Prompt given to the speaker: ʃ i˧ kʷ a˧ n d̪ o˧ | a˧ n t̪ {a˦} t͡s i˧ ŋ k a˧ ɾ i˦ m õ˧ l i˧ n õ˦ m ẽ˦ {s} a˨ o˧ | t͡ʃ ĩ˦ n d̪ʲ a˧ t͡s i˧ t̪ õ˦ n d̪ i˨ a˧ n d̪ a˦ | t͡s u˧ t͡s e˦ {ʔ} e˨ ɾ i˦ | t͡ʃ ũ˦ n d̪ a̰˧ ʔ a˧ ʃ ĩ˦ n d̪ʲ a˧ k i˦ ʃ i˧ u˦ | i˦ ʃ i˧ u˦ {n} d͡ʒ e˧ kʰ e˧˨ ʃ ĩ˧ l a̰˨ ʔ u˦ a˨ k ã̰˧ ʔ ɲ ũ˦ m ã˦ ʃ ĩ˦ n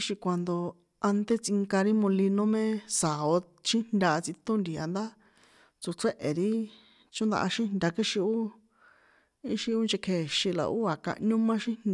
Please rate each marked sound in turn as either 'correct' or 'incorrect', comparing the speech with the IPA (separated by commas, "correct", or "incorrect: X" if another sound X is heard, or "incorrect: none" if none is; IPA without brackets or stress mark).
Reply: incorrect: e˦, correct, correct, correct